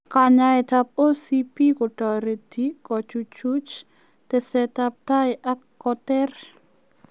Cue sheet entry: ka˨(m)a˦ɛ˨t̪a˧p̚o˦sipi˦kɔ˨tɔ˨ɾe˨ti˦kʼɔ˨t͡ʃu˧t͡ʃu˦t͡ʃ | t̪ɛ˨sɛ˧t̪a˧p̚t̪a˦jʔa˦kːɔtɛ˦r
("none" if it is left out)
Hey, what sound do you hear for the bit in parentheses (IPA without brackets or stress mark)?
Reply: ɲ